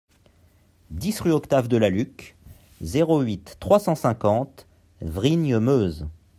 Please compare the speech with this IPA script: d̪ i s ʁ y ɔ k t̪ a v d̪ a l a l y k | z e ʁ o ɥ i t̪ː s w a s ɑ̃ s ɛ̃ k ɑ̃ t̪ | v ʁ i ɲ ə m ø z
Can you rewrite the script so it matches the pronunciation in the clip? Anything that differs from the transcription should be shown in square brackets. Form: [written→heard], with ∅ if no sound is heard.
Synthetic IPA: d̪ i s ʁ y ɔ k t̪ a v d̪ [a→ə] l a l y k | z e ʁ o ɥ i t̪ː [s→χ] w a s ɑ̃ s ɛ̃ k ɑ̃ t̪ | v ʁ i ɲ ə m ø z